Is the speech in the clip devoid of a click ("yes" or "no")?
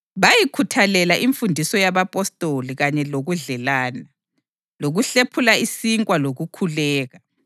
yes